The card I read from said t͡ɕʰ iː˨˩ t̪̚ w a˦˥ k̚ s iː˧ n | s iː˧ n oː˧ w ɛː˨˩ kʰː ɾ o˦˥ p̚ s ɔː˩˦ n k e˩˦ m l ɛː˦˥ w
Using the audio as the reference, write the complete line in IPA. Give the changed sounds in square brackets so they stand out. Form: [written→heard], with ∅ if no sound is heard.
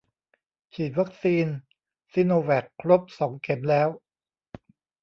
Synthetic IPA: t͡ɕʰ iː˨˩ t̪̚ w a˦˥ k̚ s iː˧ n | s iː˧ n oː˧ w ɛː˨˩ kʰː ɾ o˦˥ p̚ s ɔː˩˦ [n→ŋ] k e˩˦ m l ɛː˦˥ w